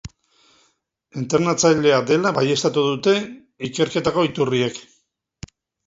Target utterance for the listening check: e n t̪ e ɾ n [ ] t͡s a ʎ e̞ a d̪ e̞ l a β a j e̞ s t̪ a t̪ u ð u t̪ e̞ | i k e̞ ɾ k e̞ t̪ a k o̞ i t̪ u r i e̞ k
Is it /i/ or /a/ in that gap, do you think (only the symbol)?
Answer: a